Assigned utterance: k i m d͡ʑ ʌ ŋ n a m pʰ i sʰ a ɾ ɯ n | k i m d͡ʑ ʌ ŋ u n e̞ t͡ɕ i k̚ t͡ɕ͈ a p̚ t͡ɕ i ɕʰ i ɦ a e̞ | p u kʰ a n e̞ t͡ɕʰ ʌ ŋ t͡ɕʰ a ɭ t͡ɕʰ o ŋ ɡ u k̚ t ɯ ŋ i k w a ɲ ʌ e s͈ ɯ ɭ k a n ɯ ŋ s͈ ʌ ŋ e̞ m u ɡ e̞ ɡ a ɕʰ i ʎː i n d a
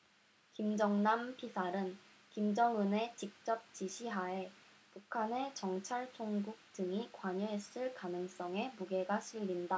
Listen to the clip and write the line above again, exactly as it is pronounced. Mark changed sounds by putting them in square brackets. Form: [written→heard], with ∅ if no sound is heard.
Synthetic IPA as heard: k i m d͡ʑ ʌ ŋ n a m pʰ i sʰ a ɾ ɯ n | k i m d͡ʑ ʌ ŋ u n e̞ t͡ɕ i k̚ t͡ɕ͈ [a→ʌ] p̚ t͡ɕ i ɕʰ i ɦ a e̞ | p u kʰ a n e̞ [t͡ɕʰ→t͡ɕ] ʌ ŋ t͡ɕʰ a ɭ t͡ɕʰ o ŋ ɡ u k̚ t ɯ ŋ i k w a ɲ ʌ e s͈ ɯ ɭ k a n ɯ ŋ s͈ ʌ ŋ e̞ m u ɡ e̞ ɡ a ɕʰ i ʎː i n d a

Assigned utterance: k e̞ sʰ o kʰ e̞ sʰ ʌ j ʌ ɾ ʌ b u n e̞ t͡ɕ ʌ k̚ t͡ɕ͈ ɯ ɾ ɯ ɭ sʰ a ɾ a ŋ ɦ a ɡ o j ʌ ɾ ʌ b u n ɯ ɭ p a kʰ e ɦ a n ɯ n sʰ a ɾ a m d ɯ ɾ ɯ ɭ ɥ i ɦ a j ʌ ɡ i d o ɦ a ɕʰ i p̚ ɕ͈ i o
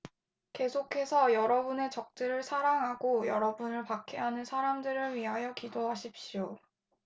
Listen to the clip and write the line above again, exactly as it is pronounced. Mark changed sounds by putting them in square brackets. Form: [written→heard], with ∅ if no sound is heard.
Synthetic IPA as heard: k e̞ sʰ o kʰ e̞ sʰ ʌ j ʌ ɾ ʌ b u n e̞ t͡ɕ ʌ k̚ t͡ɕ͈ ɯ ɾ ɯ ɭ sʰ a ɾ a ŋ ɦ a ɡ o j ʌ ɾ ʌ b u n ɯ ɭ p a kʰ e ɦ a n ɯ n sʰ a ɾ a m d ɯ ɾ ɯ ɭ ɥ i ɦ a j ʌ [ɡ→k] i d o ɦ a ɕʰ i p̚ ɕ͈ i o

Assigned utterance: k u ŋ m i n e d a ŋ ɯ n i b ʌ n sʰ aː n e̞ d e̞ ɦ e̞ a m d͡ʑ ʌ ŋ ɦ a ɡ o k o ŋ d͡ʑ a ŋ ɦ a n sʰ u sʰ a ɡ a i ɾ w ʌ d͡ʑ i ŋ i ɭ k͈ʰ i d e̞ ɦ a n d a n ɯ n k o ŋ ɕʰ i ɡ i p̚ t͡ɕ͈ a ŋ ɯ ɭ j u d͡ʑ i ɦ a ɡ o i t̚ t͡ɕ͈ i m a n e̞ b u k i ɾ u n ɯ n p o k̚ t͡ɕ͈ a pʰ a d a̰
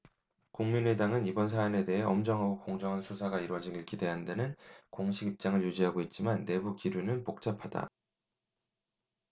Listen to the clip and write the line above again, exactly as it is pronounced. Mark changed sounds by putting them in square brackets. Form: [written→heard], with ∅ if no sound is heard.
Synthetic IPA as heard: k u ŋ m i n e d a ŋ ɯ n i b ʌ n sʰ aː n e̞ d e̞ ɦ e̞ [a→ʌ] m d͡ʑ ʌ ŋ ɦ a ɡ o k o ŋ d͡ʑ [a→ʌ] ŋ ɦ a n sʰ u sʰ a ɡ a i ɾ w ʌ d͡ʑ i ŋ i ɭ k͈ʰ i d e̞ ɦ a n d a n ɯ n k o ŋ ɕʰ i ɡ i p̚ t͡ɕ͈ a ŋ ɯ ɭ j u d͡ʑ i ɦ a ɡ o i t̚ t͡ɕ͈ i m a [n→nː] e̞ b u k i ɾ u n ɯ n p o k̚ t͡ɕ͈ a pʰ a d a̰

